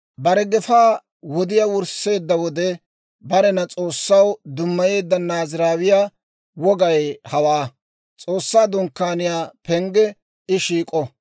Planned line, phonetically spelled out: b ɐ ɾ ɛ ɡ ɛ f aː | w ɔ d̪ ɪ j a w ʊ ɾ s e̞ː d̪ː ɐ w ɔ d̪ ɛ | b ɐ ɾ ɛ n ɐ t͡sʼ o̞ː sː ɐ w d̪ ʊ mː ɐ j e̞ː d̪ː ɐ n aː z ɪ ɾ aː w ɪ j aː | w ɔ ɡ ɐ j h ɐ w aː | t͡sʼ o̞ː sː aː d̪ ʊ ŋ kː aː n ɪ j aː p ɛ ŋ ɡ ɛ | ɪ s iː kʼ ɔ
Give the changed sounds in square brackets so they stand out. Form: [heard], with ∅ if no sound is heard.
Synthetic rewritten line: b ɐ ɾ ɛ ɡ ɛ f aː | w ɔ d̪ ɪ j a w ʊ ɾ s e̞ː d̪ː ɐ w ɔ d̪ ɛ | b ɐ ɾ ɛ n ɐ t͡sʼ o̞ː sː ɐ w d̪ ʊ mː ɐ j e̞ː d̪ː ɐ n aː z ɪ ɾ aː w ɪ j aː | w ɔ ɡ ɐ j h ɐ w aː | t͡sʼ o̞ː sː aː d̪ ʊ ŋ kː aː n ɪ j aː p ɛ ŋ ɡ ɛ | ɪ [ʃ] iː kʼ ɔ